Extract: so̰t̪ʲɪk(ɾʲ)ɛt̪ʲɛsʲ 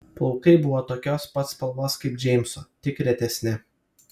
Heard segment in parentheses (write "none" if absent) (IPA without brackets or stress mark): ɾʲ